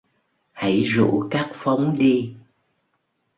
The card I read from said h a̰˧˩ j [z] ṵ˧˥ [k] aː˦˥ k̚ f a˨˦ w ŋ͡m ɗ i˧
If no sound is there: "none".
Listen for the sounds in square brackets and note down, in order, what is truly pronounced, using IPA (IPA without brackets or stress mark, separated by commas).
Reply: z, k